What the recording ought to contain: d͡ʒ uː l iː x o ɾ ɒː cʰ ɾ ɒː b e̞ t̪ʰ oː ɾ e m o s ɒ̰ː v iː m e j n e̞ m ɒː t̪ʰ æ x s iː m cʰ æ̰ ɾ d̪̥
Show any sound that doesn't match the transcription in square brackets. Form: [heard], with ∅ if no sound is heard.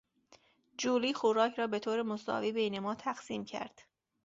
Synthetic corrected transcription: d͡ʒ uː l iː x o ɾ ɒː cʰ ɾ ɒː b e̞ t̪ʰ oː ɾ e m o s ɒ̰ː v iː [b] e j n e̞ m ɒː t̪ʰ æ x s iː m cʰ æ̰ ɾ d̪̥